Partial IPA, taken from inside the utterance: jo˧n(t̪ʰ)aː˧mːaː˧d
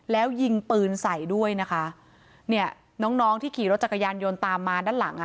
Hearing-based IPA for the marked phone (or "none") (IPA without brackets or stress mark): t̪